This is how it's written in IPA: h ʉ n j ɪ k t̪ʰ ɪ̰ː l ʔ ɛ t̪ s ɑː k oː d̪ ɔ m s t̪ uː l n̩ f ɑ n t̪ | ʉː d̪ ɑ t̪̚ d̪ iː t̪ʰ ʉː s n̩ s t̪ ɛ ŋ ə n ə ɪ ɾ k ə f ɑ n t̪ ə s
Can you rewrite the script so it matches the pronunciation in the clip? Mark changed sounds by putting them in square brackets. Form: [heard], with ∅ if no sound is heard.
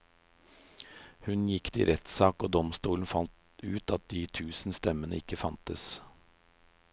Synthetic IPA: h ʉ n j ɪ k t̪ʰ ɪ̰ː [ɾ] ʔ ɛ t̪ s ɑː k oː d̪ ɔ m s t̪ uː l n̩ f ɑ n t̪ | ʉː [t̪] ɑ t̪̚ d̪ iː t̪ʰ ʉː s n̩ s t̪ ɛ [m] ə n ə ɪ [∅] k ə f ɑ n t̪ ə s